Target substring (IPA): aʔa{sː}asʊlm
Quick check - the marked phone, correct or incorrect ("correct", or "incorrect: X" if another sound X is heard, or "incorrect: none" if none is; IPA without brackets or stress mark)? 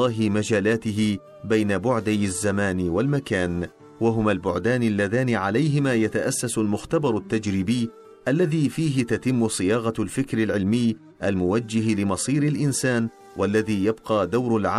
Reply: correct